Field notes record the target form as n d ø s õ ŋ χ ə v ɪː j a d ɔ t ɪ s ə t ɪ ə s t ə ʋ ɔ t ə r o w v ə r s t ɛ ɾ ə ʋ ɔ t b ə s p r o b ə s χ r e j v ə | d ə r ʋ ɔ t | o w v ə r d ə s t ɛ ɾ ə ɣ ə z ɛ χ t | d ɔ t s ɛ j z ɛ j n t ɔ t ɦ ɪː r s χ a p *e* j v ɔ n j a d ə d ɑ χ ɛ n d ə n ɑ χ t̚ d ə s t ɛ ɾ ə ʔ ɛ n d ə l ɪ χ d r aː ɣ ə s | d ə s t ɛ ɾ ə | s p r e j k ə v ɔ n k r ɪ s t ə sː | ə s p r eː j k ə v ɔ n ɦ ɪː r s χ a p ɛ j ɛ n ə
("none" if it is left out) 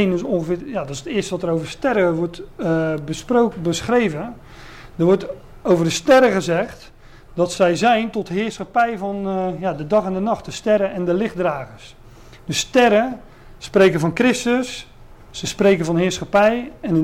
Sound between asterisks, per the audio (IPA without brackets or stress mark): ɛ